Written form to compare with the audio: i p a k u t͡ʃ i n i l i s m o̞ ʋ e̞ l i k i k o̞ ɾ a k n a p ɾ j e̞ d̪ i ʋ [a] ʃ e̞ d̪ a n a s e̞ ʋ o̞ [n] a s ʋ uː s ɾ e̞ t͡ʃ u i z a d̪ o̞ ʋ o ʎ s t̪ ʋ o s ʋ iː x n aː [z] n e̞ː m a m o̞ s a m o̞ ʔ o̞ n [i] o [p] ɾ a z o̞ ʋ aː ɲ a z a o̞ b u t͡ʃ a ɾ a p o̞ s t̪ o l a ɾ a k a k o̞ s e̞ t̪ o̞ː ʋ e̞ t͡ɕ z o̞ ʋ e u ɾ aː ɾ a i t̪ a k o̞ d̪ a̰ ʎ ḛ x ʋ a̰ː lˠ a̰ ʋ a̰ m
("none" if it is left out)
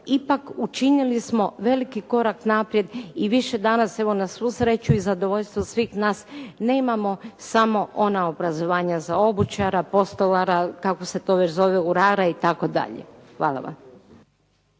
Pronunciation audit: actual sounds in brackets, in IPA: i, n, s, a, b

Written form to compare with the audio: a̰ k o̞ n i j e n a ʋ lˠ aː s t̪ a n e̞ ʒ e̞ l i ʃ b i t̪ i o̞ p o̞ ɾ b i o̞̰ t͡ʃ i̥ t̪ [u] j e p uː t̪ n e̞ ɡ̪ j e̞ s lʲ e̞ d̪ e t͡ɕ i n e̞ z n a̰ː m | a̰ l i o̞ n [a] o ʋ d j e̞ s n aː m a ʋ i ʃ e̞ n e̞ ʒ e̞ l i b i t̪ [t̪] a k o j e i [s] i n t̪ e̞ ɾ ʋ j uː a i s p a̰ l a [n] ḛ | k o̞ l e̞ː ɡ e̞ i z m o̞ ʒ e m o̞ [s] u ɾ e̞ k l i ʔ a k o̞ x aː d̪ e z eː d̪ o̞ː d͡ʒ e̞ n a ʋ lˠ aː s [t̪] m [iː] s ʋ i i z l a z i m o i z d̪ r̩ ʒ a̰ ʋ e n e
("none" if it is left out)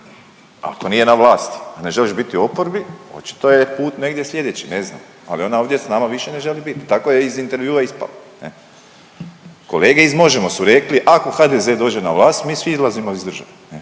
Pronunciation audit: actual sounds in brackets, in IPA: o, a, t̪, z, n, s, t̪, iː

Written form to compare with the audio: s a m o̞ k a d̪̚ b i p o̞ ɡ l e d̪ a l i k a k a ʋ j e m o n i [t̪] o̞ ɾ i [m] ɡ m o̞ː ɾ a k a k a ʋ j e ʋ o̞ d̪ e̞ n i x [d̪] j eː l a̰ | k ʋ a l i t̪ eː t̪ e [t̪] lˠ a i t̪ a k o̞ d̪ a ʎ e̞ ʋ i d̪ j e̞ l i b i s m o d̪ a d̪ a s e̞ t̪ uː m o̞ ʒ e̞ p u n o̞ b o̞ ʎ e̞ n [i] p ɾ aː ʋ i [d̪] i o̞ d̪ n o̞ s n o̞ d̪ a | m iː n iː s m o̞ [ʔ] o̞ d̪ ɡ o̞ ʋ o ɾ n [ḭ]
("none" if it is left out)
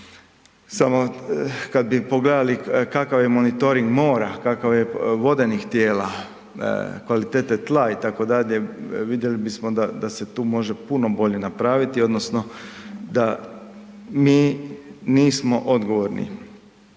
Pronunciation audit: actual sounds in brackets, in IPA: t̪, ŋ, t̪, t̪, a, t̪, ʔ, ḭ

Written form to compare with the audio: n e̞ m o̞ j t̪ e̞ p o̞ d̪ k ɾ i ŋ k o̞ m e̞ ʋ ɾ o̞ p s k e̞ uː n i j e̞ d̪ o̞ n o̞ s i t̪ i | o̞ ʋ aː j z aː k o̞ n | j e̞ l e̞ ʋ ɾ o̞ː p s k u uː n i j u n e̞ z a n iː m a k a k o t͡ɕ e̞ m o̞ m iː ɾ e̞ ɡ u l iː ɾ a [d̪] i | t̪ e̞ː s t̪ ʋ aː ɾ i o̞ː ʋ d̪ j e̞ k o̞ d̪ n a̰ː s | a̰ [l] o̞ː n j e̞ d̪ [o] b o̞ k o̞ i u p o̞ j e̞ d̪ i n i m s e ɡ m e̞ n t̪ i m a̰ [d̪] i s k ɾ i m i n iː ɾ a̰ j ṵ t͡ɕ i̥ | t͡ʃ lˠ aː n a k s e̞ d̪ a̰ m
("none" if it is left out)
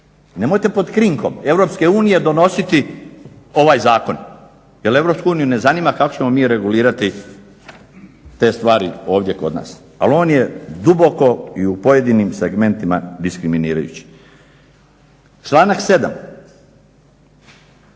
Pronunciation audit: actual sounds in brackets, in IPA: t̪, l, u, d̪

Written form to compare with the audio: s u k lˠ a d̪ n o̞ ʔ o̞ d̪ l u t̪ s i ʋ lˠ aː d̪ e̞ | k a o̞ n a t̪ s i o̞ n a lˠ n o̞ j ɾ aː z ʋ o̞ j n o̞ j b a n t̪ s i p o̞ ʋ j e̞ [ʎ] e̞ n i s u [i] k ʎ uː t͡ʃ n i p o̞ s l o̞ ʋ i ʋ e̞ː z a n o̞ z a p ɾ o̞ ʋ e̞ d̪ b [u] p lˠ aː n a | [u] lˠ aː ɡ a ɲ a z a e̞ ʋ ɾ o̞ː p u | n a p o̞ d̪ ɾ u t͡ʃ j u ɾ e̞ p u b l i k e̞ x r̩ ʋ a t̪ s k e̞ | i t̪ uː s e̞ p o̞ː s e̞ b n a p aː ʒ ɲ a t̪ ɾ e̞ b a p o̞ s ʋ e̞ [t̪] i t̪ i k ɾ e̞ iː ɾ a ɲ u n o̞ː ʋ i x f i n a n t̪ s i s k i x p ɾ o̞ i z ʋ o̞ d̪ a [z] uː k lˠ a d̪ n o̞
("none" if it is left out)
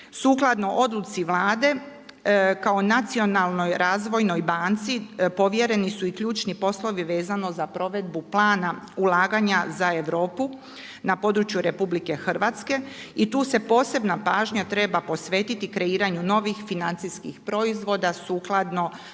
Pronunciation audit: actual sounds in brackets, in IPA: ɾ, i, u, u, t̪, s

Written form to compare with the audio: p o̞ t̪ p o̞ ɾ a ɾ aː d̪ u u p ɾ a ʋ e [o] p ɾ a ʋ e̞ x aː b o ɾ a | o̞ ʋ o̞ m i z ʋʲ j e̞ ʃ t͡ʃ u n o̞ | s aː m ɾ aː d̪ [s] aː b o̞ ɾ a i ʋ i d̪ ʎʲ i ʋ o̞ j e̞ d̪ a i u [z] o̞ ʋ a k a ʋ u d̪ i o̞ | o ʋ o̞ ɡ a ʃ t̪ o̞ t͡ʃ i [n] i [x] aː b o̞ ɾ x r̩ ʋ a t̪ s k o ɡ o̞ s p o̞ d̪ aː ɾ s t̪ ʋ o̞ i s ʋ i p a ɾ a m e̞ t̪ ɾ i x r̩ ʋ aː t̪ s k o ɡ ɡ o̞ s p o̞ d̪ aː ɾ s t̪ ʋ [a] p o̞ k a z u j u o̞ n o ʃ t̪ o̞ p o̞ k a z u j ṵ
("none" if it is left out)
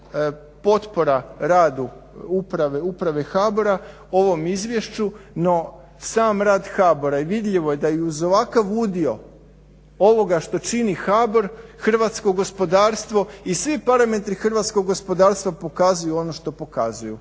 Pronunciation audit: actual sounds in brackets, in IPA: u, x, z, n, x, a

